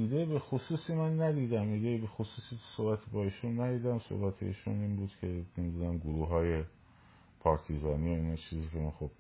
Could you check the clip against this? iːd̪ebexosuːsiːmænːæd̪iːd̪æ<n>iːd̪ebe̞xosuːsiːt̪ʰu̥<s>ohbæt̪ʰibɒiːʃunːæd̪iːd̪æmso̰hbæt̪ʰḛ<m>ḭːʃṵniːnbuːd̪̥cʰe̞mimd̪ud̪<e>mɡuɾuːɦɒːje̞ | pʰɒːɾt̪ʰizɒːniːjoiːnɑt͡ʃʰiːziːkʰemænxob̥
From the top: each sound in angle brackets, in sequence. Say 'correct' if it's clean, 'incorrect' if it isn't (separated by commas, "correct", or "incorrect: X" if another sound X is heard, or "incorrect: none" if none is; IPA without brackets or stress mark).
incorrect: m, correct, incorrect: none, incorrect: æ